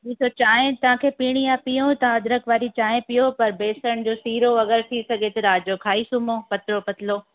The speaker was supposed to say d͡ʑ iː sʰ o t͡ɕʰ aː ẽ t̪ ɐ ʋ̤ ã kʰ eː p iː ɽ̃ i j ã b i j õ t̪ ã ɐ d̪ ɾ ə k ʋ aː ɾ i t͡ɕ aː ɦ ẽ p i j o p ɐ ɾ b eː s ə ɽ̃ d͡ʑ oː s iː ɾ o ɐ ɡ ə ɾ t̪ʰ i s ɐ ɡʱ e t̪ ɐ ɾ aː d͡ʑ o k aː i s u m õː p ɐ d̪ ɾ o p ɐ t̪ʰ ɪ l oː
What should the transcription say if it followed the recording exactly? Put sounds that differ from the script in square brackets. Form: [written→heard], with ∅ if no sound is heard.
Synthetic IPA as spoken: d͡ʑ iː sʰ o [t͡ɕʰ→t͡ɕ] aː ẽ t̪ ɐ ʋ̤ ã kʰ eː p iː ɽ̃ i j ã [b→p] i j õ t̪ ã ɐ d̪ ɾ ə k ʋ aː ɾ i t͡ɕ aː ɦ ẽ p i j o p ɐ ɾ b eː s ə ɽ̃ d͡ʑ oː s iː ɾ o ɐ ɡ ə ɾ t̪ʰ i s ɐ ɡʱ e t̪ ɐ ɾ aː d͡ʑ o [k→kʰ] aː i s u m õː p ɐ [d̪→t̪] ɾ o p ɐ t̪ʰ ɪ l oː